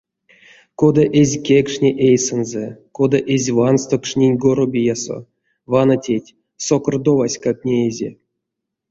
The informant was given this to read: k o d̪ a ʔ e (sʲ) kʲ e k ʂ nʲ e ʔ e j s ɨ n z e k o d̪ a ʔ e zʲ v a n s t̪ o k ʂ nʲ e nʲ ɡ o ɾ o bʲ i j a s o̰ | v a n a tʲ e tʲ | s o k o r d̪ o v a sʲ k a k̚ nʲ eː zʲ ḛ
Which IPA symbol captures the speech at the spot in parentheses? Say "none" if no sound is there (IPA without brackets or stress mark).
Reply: zʲ